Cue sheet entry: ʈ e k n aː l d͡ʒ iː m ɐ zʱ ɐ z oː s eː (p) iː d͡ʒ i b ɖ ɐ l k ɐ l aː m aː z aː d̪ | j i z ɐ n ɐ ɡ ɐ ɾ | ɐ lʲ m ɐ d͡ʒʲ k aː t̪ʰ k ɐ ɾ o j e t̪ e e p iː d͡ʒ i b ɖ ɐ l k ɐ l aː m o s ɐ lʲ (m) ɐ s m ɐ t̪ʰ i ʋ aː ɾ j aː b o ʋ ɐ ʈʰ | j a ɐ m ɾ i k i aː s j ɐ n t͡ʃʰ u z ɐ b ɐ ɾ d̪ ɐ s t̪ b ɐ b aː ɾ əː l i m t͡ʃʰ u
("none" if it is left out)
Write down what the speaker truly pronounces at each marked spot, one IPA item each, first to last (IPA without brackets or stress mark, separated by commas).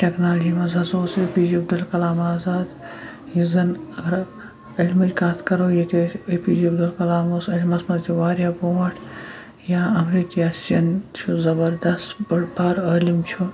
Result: p, m